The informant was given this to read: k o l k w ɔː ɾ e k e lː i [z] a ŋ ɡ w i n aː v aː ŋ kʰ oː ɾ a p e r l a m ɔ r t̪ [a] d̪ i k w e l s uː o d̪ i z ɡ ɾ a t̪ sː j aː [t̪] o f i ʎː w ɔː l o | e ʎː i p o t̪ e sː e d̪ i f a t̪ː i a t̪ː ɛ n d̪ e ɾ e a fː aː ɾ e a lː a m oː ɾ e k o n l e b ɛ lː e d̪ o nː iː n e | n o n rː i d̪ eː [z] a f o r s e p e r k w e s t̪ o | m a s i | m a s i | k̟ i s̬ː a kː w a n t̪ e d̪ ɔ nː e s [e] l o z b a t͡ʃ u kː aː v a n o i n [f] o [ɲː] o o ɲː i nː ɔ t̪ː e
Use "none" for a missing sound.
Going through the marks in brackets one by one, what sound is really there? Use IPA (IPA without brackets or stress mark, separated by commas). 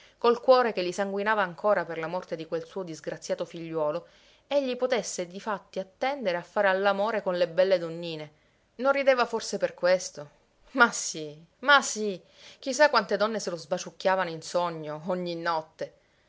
s, e, t̪, v, e, s, ɲː